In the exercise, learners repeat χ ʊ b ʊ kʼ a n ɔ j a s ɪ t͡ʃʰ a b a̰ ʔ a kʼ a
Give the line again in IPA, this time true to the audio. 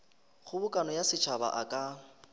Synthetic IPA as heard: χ ʊ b ʊ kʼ a n ɔ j a s ɪ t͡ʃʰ a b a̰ ʔ a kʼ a

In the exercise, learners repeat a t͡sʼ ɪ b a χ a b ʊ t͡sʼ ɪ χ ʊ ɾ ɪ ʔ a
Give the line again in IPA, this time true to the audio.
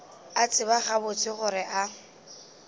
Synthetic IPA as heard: a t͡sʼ ɪ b a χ a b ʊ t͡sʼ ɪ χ ʊ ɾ ɪ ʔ a

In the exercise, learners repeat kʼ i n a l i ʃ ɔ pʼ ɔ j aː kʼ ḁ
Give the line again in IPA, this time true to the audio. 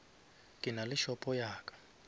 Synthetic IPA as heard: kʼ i n a l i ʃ ɔ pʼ ɔ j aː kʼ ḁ

